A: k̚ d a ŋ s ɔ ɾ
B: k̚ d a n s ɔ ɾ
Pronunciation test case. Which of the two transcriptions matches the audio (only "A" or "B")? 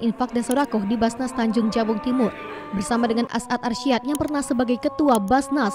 B